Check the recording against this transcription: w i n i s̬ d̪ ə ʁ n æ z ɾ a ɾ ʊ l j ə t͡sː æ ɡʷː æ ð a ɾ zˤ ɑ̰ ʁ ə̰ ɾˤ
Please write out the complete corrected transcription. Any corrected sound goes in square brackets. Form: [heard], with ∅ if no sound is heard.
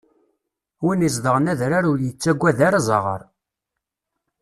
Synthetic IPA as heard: w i n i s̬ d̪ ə ʁ n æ [ð] ɾ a ɾ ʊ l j ə t͡sː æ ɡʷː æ ð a ɾ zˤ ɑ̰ ʁ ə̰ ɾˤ